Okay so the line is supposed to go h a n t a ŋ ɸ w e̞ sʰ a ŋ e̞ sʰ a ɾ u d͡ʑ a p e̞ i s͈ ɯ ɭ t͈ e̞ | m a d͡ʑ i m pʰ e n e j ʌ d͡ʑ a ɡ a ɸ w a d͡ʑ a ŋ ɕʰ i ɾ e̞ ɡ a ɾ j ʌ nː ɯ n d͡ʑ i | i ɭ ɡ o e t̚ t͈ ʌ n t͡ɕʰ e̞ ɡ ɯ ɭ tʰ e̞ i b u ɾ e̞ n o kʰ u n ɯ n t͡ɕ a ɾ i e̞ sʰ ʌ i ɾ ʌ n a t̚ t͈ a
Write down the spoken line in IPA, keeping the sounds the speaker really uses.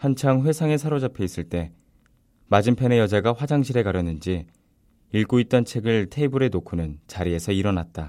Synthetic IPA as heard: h a n t͡ɕʰ a ŋ ɸ w e̞ sʰ a ŋ e̞ sʰ a ɾ o d͡ʑ a pʰ e̞ i s͈ ɯ ɭ t͈ e̞ | m a d͡ʑ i m pʰ e n e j ʌ d͡ʑ a ɡ a ɸ w a d͡ʑ a ŋ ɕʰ i ɾ e̞ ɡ a ɾ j ʌ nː ɯ n d͡ʑ i | i ɭ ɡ o i t̚ t͈ ʌ n t͡ɕʰ e̞ ɡ ɯ ɭ tʰ e̞ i b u ɾ e̞ n o kʰ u n ɯ n t͡ɕ a ɾ i e̞ sʰ ʌ i ɾ ʌ n a t̚ t͈ a